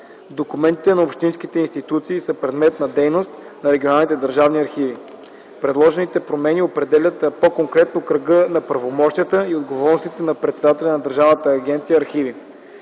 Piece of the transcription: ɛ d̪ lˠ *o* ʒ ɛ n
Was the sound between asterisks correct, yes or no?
no